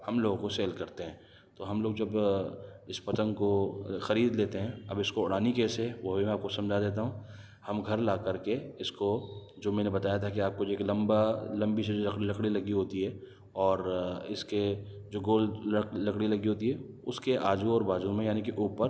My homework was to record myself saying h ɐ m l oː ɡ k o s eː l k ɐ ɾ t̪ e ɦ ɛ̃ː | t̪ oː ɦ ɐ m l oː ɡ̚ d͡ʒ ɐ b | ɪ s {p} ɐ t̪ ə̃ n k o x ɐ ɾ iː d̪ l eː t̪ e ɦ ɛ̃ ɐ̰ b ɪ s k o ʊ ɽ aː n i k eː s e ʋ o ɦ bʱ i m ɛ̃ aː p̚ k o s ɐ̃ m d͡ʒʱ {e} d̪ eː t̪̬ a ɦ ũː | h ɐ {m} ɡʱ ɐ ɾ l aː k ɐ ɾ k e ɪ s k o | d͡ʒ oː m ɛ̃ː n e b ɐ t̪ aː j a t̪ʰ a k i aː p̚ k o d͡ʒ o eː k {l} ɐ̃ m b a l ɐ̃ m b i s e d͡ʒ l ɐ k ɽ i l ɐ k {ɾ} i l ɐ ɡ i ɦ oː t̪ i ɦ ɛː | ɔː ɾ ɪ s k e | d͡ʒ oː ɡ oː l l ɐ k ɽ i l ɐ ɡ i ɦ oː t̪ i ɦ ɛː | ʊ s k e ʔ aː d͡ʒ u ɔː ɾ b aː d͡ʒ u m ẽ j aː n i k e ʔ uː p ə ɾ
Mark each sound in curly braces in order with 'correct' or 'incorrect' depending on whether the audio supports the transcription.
correct, incorrect: a, correct, correct, incorrect: ɽ

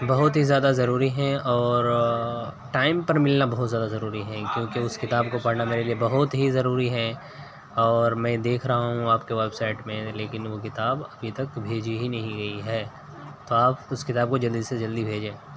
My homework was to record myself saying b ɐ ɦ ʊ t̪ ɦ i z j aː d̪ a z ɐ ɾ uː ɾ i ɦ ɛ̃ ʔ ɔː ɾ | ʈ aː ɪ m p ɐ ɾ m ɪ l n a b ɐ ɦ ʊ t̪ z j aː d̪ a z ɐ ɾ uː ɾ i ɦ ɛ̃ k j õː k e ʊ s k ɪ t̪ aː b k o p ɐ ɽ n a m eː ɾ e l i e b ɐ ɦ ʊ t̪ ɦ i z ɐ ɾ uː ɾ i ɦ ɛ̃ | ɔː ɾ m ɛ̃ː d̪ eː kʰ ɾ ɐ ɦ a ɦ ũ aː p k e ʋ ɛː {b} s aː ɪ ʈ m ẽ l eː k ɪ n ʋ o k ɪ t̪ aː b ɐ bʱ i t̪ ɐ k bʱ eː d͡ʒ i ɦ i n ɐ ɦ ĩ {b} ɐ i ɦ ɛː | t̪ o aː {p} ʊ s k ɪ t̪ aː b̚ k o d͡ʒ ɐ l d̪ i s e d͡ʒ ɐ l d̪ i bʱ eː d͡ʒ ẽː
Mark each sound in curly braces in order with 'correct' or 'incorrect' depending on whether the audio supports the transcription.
correct, incorrect: ɡ, correct

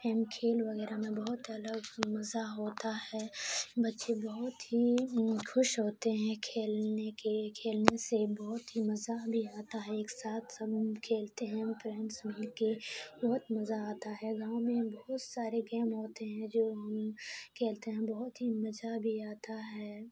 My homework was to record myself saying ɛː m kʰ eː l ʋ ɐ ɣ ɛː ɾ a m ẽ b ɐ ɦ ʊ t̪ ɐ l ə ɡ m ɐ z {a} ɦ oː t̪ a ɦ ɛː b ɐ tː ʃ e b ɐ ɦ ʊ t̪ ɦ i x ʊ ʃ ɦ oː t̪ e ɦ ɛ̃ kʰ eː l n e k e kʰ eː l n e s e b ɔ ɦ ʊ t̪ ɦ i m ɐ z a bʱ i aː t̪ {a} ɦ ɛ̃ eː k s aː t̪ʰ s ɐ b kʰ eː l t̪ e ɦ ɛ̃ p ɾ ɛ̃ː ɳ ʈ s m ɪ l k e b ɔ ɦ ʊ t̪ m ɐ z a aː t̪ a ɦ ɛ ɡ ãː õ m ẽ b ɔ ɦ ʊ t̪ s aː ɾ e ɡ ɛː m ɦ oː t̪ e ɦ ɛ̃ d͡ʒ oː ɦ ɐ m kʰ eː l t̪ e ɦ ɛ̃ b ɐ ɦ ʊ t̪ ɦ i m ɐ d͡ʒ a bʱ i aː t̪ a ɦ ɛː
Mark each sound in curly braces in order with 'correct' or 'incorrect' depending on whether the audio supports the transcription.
correct, correct

